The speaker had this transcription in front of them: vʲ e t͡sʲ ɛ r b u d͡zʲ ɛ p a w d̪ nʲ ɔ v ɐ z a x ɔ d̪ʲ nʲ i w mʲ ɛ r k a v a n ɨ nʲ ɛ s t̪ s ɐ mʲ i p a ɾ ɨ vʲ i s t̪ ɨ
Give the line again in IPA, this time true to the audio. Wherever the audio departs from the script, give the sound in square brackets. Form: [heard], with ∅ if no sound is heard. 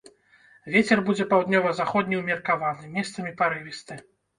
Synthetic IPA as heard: vʲ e t͡sʲ ɛ r b u d͡zʲ ɛ p a w d̪ nʲ ɔ v ɐ z a x ɔ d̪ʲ nʲ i w mʲ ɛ r k a v a n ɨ [mʲ] ɛ s t̪ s ɐ mʲ i p a ɾ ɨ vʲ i s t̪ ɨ